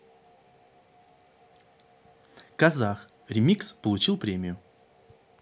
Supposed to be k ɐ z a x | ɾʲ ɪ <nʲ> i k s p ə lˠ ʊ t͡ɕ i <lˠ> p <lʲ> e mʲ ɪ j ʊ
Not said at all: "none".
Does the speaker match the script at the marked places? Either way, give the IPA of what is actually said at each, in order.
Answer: mʲ, lˠ, ɾʲ

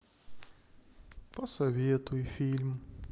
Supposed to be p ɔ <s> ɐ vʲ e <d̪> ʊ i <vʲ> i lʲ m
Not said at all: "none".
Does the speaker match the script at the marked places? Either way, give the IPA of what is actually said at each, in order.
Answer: s, t̪, fʲ

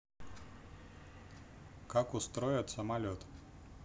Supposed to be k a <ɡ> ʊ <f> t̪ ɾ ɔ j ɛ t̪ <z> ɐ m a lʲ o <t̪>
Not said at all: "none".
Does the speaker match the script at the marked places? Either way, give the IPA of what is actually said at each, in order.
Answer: k, s, s, t̪

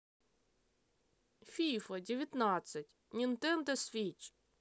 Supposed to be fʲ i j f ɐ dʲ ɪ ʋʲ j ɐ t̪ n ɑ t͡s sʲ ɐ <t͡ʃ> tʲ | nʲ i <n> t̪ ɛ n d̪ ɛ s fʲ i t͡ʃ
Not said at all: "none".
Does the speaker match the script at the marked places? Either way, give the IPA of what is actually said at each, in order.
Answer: none, n

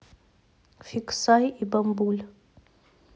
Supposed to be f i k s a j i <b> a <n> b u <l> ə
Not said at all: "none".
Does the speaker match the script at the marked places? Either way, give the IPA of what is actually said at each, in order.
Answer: b, m, l

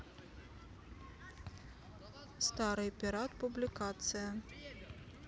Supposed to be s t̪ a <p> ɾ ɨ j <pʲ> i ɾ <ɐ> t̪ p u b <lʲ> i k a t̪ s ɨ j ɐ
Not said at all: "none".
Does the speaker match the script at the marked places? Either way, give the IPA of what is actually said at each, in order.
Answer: none, pʲ, a, lʲ

